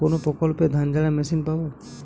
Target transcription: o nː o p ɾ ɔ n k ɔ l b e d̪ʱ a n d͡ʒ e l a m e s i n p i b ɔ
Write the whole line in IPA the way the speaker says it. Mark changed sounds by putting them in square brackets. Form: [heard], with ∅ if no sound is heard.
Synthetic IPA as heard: o [n] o p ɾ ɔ [∅] k ɔ l [p] e d̪ʱ a n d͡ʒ [a] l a m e s i n p [a] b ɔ